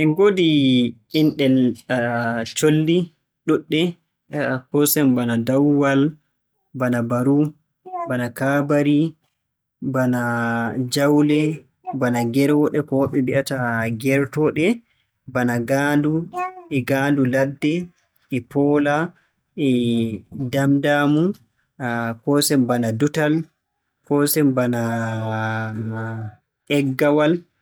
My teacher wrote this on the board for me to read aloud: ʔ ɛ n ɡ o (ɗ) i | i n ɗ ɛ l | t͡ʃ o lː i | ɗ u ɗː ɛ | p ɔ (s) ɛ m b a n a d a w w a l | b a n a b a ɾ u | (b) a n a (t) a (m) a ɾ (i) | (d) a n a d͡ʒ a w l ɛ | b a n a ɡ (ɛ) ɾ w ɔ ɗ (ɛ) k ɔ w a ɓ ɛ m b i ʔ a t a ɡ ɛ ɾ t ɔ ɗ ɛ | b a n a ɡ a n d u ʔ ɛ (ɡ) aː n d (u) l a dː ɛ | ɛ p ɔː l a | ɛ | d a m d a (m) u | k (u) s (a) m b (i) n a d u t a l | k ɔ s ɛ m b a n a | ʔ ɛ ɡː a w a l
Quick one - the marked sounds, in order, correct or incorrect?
incorrect, correct, correct, incorrect, incorrect, correct, incorrect, correct, correct, correct, correct, correct, incorrect, incorrect, incorrect

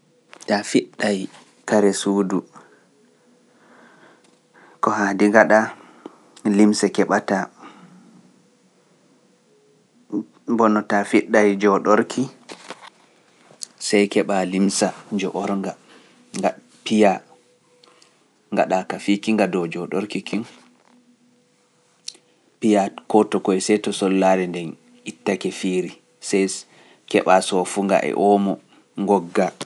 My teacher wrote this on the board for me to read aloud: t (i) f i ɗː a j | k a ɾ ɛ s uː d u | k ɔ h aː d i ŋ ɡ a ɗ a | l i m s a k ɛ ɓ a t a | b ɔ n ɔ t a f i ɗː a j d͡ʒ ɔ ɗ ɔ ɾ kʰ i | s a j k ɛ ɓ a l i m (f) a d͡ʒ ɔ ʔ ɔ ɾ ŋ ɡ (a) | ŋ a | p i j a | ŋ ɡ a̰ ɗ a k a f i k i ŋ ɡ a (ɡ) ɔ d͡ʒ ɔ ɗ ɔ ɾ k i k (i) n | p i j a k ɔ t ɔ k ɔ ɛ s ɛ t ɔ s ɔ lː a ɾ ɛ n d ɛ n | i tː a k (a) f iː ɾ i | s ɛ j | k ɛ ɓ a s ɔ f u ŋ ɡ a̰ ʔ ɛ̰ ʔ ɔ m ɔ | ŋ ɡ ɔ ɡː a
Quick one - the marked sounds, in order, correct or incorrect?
incorrect, incorrect, correct, incorrect, correct, incorrect

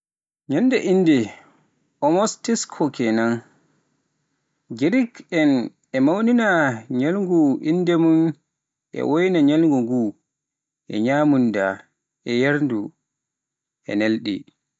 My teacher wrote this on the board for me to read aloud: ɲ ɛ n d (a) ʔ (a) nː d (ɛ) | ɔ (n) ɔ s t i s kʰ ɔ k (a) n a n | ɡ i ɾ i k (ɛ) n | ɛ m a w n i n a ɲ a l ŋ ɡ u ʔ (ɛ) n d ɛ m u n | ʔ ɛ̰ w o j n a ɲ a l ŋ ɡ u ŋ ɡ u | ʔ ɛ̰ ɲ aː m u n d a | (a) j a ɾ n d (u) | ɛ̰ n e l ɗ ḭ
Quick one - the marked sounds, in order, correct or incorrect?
incorrect, incorrect, correct, incorrect, incorrect, correct, incorrect, incorrect, correct

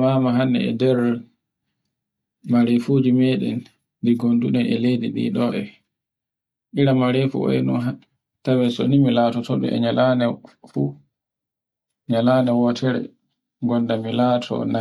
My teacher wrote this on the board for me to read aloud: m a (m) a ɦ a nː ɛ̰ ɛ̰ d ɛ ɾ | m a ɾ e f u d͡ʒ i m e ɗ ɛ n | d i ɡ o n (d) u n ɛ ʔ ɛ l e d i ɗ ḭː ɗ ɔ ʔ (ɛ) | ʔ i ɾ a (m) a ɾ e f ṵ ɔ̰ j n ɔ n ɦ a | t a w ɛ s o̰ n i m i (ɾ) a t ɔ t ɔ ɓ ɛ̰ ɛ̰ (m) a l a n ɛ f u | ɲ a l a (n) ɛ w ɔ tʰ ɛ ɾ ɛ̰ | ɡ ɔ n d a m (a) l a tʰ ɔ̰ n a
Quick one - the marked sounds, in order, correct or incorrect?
correct, correct, correct, correct, incorrect, incorrect, correct, incorrect

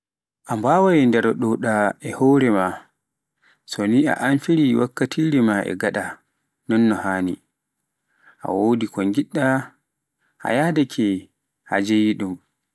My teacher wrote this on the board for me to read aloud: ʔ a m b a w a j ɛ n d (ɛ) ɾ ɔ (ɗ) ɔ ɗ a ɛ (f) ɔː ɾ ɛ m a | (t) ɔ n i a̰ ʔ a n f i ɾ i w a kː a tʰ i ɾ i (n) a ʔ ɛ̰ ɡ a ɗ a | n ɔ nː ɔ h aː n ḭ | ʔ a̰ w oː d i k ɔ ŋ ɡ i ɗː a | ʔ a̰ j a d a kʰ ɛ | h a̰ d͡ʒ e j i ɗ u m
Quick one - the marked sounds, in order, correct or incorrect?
correct, correct, incorrect, incorrect, incorrect

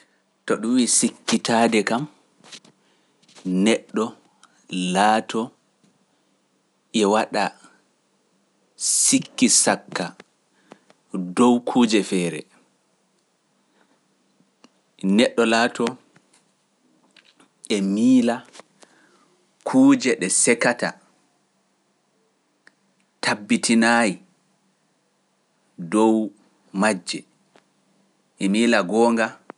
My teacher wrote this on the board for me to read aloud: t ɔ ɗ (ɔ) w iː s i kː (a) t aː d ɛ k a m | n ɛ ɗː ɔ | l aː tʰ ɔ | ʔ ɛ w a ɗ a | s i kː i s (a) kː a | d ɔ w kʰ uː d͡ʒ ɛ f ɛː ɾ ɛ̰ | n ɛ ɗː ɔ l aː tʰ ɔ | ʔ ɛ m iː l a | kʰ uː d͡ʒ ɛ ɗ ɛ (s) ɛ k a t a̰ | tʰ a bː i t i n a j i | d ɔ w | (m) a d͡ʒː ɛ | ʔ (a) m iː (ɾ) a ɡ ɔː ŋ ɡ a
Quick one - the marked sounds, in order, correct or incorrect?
incorrect, incorrect, correct, correct, correct, incorrect, incorrect

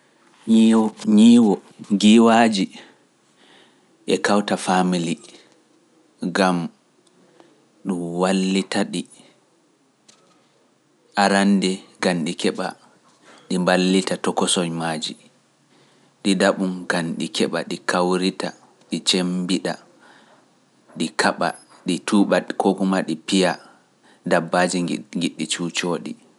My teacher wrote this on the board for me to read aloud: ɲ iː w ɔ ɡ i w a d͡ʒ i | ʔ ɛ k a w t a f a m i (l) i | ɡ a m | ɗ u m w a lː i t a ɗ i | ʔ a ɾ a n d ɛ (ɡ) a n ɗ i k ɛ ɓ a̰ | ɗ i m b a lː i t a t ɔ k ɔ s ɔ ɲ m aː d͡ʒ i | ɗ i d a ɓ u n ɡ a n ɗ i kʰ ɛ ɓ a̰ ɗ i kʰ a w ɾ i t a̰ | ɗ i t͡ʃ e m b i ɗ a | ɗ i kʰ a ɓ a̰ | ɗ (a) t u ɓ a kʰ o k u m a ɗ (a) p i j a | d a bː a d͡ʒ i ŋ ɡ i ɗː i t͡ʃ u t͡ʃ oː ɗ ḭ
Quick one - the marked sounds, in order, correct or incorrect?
correct, correct, incorrect, incorrect

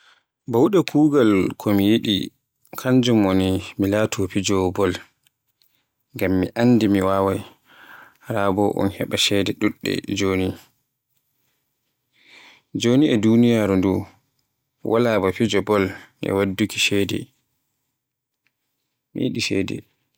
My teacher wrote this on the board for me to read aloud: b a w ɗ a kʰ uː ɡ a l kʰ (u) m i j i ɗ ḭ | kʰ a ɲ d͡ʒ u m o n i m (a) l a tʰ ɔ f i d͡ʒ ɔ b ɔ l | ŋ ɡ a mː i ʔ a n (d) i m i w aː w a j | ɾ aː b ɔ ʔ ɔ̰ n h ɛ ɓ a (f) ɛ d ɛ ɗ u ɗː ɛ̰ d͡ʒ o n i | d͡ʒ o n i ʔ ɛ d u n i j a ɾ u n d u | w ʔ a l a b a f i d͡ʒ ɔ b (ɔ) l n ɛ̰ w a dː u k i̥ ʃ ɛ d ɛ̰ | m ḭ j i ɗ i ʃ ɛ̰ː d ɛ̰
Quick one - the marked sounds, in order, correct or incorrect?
incorrect, incorrect, correct, incorrect, correct

